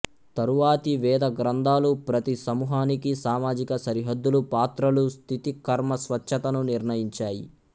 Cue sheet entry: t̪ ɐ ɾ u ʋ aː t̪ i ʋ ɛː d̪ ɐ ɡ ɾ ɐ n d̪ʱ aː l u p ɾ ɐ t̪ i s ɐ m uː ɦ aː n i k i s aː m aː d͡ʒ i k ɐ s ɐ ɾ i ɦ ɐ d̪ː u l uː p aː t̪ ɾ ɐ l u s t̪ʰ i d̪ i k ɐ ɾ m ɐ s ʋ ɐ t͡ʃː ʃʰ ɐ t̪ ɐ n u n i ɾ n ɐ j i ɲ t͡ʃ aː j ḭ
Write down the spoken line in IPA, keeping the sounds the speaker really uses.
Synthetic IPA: t̪ ɐ ɾ u ʋ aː t̪ i ʋ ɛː d̪ ɐ ɡ ɾ ɐ n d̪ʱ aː l u p ɾ ɐ t̪ i s ɐ m uː ɦ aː n i k i s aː m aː d͡ʒ i k ɐ s ɐ ɾ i ɦ ɐ d̪ː u l u p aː t̪ ɾ ɐ l u s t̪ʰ i t̪ i k ɐ ɾ m ɐ s ʋ ɐ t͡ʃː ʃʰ ɐ t̪ ɐ n u n i ɾ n ɐ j i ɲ t͡ʃ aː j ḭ

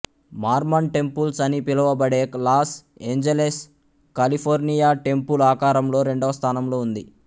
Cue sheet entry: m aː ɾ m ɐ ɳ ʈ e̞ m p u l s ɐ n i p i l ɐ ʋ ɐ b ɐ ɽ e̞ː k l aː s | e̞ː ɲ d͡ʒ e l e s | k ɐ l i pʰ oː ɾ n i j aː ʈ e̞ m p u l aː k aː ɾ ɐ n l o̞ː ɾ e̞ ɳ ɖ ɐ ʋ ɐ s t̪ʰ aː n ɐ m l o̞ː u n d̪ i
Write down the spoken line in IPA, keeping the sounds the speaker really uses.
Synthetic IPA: m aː ɾ m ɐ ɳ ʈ e̞ m p u l s ɐ n i p i l ɐ ʋ ɐ b ɐ ɽ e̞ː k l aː s | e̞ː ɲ d͡ʒ e l e s | k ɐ l i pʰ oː ɾ n i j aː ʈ e̞ m p u l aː k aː ɾ ɐ m l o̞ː ɾ e̞ ɳ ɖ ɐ ʋ ɐ s t̪ʰ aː n ɐ m l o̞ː u n d̪ i

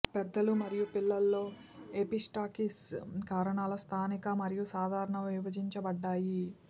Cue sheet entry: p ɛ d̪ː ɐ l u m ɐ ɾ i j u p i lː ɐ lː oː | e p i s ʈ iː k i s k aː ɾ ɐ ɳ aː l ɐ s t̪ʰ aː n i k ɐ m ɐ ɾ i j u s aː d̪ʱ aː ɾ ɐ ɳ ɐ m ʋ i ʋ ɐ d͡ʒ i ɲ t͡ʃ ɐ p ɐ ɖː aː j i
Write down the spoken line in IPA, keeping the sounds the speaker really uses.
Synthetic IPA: p ɛ d̪ː ɐ l u m ɐ ɾ i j u p i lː ɐ lː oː | e p i s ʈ aː k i s k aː ɾ ɐ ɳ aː l ɐ s t̪ʰ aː n i k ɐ m ɐ ɾ i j u s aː d̪ʱ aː ɾ ɐ ɳ ɐ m ʋ i ʋ ɐ d͡ʒ i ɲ t͡ʃ ɐ b ɐ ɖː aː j i

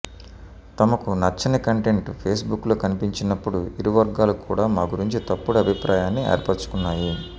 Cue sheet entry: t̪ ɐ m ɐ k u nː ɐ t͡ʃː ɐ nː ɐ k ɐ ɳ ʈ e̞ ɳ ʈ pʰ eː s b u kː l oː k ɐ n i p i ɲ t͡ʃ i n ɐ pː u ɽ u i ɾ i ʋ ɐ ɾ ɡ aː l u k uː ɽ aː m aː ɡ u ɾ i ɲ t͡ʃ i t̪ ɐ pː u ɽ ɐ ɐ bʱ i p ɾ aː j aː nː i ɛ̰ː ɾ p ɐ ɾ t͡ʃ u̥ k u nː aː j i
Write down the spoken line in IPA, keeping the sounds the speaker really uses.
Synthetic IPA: t̪ ɐ m ɐ k u n ɐ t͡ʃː ɐ n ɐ k ɐ ɳ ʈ e̞ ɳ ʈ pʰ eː s b u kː l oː k ɐ n i p i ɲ t͡ʃ i n ɐ pː u ɽ u i ɾ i ʋ ɐ ɾ ɡ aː l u k uː ɽ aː m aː ɡ u ɾ i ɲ t͡ʃ i t̪ ɐ pː u ɽ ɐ ɐ bʱ i p ɾ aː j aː nː i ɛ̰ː ɾ p ɐ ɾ t͡ʃ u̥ k u nː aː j i

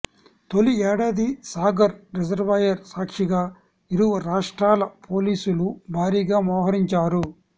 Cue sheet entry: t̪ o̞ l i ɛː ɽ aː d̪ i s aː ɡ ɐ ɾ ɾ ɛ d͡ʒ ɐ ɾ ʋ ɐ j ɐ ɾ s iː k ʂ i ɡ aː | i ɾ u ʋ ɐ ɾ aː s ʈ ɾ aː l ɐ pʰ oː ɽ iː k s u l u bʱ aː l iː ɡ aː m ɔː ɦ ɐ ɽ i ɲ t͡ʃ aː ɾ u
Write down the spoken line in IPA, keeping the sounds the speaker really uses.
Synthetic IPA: t̪ o̞ l i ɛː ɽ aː d̪ i s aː ɡ ɐ ɾ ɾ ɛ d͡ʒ ɐ ɾ ʋ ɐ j ɐ ɾ s aː k ʂ i ɡ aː | i ɾ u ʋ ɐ ɾ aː ʂ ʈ ɾ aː l ɐ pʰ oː l iː s u l u bʱ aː ɾ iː ɡ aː m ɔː ɦ ɐ ɾ i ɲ t͡ʃ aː ɾ u

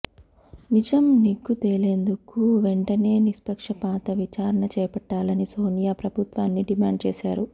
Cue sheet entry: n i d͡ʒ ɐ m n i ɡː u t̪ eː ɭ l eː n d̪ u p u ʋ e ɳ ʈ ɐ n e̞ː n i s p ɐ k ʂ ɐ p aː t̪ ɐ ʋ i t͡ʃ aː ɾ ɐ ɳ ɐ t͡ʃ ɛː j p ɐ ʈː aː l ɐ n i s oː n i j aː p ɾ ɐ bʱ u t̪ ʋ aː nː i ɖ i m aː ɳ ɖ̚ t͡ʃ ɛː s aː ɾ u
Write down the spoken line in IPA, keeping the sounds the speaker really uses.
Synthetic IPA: n i d͡ʒ ɐ m n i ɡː u t̪ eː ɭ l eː n d̪ u k u ʋ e ɳ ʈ ɐ n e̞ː n i s p ɐ k ʂ ɐ p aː t̪ ɐ ʋ i t͡ʃ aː ɾ ɐ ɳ ɐ t͡ʃ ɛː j p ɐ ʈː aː l ɐ n i s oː n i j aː p ɾ ɐ bʱ u t̪ ʋ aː nː i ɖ i m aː ɳ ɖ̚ t͡ʃ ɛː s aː ɾ u

